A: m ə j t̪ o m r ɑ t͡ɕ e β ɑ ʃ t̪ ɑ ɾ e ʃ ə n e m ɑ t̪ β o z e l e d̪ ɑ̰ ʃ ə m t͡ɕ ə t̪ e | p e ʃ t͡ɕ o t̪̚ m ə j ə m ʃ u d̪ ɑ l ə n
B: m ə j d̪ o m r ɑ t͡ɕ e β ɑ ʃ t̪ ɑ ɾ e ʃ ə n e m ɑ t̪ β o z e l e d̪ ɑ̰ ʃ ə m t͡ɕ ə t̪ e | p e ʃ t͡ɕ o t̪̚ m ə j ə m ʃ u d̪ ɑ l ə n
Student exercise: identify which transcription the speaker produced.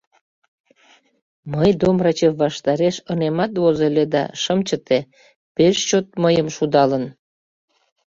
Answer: B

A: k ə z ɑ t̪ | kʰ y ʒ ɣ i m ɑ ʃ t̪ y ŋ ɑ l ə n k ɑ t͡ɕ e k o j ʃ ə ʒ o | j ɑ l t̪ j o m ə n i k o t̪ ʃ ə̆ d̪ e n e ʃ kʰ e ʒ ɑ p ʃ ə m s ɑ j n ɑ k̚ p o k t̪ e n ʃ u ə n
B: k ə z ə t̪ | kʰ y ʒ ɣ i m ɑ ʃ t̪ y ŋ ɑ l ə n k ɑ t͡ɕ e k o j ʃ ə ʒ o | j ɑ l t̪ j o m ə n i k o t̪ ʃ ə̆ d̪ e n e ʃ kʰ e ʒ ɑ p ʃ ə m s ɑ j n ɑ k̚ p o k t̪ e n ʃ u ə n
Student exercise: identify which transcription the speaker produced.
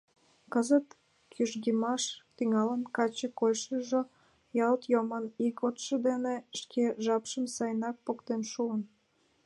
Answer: B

